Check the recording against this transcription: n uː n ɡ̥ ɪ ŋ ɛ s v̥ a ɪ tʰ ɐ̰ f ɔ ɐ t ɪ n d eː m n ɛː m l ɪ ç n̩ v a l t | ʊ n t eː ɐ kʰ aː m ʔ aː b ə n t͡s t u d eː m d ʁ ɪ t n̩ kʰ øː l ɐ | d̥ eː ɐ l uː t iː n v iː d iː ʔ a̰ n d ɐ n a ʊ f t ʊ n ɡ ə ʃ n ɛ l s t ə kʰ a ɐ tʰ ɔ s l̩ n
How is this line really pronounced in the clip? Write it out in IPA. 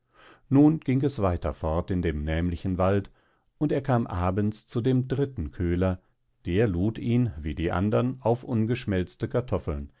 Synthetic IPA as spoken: n uː n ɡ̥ ɪ ŋ ɛ s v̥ a ɪ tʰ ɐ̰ f ɔ ɐ t ɪ n d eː m n ɛː m l ɪ ç n̩ v a l t | ʊ n t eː ɐ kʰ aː m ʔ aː b ə n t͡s t͡s u d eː m d ʁ ɪ t n̩ kʰ øː l ɐ | d̥ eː ɐ l uː t iː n v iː d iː ʔ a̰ n d ɐ n a ʊ f ʔ ʊ n ɡ ə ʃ m ɛ l t͡s t ə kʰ a ɐ tʰ ɔ f l̩ n